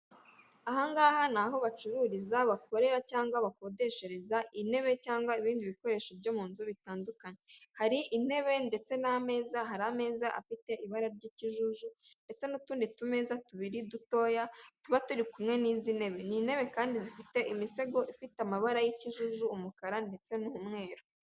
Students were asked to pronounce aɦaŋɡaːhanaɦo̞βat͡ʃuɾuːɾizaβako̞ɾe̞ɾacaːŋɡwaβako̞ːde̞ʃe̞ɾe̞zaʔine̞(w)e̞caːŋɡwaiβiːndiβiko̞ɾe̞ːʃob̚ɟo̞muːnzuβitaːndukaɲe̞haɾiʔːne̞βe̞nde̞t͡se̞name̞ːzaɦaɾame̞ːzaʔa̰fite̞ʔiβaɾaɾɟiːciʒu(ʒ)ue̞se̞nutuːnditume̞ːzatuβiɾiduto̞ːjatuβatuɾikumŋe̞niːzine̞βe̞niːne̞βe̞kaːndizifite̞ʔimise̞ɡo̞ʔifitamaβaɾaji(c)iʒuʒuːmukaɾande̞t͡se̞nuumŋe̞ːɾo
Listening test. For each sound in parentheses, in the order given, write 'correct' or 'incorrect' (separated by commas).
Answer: incorrect, correct, correct